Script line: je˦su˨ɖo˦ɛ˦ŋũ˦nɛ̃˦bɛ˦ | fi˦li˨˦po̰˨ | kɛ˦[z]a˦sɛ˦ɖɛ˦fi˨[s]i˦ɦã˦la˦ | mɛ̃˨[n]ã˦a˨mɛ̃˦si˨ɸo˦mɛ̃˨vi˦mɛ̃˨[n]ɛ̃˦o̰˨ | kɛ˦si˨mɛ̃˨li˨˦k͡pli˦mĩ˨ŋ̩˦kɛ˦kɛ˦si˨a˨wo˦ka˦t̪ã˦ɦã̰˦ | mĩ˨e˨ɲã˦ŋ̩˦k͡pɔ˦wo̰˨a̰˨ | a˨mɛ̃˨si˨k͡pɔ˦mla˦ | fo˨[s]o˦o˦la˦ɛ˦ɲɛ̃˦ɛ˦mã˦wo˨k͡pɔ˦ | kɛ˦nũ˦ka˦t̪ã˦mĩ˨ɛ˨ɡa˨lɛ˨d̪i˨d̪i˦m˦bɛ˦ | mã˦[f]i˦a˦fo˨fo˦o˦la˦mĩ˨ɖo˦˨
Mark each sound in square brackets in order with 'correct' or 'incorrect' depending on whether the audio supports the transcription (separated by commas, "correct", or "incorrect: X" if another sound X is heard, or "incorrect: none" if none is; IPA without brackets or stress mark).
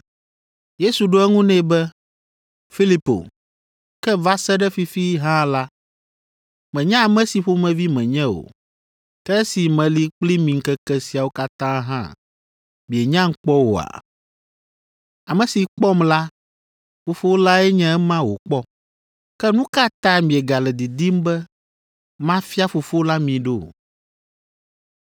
incorrect: v, incorrect: f, incorrect: ɲ, incorrect: ɲ, incorrect: f, correct